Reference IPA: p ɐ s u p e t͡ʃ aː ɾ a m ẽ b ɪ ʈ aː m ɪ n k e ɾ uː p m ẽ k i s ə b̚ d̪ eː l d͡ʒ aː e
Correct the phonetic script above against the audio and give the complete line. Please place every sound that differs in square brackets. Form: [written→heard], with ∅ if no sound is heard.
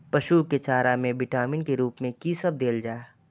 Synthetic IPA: p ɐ [s→ʃ] u [p→k] e t͡ʃ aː ɾ a m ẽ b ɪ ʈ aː m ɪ n k e ɾ uː p m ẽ k i s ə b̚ d̪ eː l d͡ʒ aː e